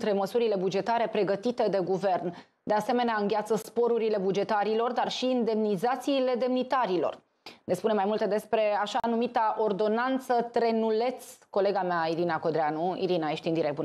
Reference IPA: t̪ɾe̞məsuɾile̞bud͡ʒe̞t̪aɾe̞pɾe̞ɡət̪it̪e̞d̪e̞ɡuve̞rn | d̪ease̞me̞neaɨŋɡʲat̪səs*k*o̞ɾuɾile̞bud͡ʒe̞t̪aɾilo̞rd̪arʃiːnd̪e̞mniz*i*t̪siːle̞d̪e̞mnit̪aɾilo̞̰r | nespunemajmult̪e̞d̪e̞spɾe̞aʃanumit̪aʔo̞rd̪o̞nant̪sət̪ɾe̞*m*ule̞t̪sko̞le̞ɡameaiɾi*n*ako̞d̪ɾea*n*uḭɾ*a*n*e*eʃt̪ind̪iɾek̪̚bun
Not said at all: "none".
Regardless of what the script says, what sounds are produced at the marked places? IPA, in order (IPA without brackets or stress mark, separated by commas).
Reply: p, a, n, n, n, i, a